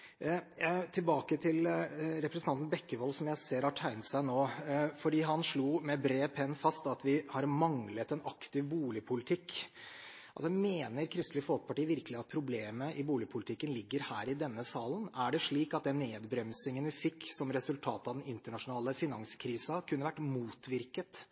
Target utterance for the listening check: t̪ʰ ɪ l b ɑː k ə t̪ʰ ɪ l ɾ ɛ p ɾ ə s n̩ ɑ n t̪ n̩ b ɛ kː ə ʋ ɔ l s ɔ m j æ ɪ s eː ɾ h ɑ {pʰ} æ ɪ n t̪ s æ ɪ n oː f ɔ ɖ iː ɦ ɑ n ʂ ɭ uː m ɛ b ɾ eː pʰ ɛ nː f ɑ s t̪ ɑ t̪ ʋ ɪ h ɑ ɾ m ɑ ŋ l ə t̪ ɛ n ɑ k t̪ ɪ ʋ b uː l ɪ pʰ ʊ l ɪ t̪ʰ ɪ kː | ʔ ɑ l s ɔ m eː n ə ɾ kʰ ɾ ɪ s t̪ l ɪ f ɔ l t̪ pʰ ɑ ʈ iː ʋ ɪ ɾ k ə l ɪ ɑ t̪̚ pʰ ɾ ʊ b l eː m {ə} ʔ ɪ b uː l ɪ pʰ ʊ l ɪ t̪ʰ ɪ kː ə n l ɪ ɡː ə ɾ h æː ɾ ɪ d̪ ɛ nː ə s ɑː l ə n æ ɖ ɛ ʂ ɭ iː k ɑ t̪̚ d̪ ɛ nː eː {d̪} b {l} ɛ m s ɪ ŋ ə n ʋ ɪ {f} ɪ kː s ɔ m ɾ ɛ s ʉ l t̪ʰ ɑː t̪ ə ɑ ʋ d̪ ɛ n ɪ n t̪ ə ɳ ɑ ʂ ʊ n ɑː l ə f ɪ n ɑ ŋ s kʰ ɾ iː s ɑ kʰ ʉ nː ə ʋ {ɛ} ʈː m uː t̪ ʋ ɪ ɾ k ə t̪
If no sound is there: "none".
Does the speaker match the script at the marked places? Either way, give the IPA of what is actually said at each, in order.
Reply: ʈʰ, ə, d̪, ɾ, f, æ

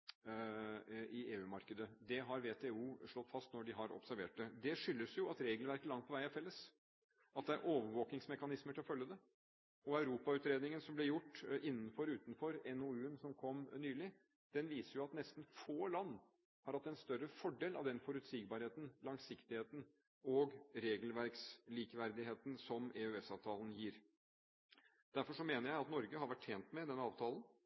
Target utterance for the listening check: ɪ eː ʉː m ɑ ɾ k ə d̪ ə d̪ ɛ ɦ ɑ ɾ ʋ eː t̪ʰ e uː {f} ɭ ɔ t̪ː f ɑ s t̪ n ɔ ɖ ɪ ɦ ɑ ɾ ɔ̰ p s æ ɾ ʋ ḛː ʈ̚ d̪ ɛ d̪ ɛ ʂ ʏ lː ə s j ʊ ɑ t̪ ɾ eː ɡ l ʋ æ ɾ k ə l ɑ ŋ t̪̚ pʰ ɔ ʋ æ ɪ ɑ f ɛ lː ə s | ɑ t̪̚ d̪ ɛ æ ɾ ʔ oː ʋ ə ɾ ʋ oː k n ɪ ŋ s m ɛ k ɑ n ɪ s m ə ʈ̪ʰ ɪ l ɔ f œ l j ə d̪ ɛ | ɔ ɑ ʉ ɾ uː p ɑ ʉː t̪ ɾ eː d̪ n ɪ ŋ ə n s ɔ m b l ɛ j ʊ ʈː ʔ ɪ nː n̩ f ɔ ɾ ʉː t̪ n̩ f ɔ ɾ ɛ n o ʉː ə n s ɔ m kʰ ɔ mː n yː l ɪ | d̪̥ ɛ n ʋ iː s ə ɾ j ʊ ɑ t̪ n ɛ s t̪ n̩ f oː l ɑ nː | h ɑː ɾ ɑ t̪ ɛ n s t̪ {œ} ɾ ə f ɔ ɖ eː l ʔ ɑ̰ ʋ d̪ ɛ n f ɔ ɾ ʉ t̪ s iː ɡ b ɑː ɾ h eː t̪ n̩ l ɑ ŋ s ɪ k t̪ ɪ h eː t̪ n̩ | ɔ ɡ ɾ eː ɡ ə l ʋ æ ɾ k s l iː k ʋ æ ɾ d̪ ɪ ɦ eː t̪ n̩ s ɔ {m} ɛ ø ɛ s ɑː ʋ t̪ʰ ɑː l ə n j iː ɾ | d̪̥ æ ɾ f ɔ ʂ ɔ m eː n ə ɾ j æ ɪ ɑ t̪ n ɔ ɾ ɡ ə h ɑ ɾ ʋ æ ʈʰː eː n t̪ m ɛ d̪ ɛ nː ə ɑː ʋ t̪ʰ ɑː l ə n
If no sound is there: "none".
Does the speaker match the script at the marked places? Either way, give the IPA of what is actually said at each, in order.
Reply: ʂ, œ, m

